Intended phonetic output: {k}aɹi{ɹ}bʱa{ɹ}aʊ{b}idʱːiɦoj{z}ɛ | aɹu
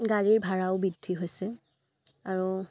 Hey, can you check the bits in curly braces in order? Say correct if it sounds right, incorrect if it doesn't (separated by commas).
incorrect, correct, correct, correct, incorrect